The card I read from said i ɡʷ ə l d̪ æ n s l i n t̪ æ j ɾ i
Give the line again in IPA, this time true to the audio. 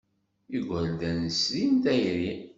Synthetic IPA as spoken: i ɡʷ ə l d̪ æ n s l i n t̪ æ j ɾ i